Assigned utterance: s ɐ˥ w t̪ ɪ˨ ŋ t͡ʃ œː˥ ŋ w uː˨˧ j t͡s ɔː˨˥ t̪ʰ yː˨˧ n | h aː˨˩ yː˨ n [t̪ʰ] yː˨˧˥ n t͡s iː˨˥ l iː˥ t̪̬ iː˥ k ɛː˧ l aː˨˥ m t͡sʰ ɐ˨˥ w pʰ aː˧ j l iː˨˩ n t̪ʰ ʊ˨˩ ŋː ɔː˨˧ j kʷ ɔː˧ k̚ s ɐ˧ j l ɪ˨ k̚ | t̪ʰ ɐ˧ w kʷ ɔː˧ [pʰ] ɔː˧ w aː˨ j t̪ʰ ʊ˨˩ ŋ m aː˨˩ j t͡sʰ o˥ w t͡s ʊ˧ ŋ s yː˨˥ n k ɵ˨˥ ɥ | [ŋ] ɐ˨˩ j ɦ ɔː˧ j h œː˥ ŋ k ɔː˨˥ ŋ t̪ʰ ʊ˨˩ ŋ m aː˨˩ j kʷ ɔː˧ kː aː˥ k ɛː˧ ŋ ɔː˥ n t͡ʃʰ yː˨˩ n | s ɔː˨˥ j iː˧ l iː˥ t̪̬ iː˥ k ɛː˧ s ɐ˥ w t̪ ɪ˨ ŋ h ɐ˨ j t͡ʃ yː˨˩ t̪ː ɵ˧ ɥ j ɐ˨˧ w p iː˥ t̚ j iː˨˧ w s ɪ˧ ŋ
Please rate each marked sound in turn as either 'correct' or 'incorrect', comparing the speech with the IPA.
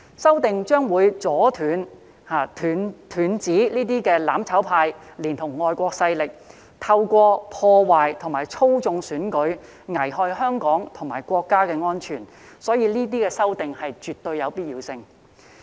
correct, correct, correct

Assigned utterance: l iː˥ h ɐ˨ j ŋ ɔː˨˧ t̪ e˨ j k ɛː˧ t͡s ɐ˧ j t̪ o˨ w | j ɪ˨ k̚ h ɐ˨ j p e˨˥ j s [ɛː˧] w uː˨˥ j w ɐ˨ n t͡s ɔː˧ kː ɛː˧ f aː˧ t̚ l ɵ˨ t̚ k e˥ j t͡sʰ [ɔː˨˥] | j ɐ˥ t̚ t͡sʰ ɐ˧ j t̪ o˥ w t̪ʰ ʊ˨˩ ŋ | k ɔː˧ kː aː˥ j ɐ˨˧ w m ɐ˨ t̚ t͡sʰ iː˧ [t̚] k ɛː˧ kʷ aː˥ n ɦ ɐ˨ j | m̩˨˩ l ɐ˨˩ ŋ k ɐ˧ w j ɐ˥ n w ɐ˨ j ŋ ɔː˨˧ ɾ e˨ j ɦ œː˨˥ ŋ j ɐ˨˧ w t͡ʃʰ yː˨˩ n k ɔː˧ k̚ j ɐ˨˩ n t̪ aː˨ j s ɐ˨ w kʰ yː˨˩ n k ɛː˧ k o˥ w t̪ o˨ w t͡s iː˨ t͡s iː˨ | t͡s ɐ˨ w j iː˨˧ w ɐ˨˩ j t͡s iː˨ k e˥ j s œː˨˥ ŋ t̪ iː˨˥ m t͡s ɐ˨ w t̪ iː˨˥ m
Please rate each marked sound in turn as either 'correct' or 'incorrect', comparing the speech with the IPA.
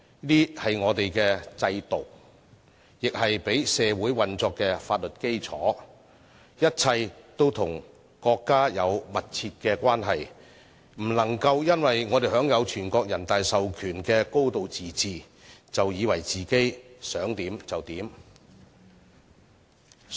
correct, correct, correct

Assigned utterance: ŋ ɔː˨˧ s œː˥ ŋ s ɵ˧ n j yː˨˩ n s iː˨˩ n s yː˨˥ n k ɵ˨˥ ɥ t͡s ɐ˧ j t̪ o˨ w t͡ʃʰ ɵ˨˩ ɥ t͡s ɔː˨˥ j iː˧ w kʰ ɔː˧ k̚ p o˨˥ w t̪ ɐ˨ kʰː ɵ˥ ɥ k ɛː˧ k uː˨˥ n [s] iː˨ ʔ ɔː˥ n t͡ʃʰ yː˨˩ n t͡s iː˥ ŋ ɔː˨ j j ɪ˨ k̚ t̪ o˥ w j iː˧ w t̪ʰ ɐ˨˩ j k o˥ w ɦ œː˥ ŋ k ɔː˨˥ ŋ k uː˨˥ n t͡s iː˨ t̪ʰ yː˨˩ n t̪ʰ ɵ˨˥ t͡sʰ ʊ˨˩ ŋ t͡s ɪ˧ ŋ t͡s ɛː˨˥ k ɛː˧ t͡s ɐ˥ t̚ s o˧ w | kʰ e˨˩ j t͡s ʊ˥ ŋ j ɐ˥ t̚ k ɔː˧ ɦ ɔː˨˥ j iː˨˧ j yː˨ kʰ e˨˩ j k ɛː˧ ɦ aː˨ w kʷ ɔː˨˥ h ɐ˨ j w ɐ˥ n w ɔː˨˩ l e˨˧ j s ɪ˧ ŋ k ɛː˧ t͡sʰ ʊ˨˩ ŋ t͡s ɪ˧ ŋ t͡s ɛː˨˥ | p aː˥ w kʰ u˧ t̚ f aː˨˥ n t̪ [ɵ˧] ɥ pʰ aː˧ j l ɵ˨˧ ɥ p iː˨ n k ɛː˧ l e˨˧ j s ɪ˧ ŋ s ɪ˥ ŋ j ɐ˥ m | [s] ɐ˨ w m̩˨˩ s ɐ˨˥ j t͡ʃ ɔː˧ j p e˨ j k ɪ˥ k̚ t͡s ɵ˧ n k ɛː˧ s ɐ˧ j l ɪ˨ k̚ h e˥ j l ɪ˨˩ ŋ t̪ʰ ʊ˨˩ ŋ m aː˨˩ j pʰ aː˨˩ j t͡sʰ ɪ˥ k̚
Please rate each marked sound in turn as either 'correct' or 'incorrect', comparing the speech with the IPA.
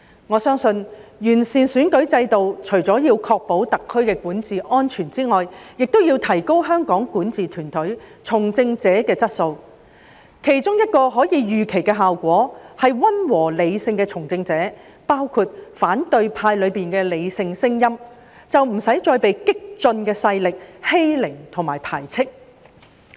incorrect: t͡s, correct, incorrect: t͡s

